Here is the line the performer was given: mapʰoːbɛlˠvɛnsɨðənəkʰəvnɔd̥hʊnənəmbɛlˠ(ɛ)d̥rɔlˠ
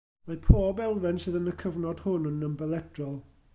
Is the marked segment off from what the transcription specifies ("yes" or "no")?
no